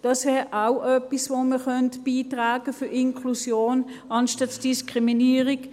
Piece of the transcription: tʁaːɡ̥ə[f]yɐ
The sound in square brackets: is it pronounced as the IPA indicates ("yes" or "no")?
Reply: yes